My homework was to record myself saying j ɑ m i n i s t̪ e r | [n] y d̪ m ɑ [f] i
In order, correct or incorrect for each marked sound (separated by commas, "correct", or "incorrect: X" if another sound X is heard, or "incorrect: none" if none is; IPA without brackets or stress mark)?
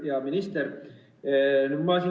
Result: correct, incorrect: s